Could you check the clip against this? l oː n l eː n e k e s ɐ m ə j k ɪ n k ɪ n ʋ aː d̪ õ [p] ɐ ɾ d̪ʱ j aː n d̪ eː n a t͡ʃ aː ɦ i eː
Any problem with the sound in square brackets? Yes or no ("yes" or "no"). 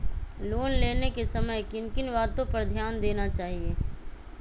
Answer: no